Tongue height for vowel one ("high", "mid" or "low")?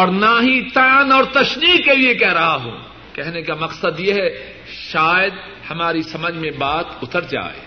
mid